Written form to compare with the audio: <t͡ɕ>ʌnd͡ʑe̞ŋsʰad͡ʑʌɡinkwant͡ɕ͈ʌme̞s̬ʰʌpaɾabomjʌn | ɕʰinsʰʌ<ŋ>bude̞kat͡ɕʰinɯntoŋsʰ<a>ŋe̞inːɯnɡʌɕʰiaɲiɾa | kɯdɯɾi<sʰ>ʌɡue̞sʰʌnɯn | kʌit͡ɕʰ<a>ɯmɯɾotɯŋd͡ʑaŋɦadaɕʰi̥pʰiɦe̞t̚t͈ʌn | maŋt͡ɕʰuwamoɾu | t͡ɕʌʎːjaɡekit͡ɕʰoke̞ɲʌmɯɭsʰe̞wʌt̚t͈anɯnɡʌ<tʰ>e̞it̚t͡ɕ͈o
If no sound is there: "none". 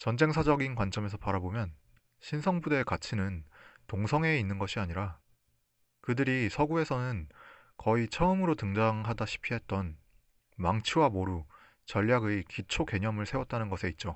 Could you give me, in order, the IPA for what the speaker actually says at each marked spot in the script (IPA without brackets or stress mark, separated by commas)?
t͡ɕ, ŋ, ʌ, sʰ, ʌ, sʰ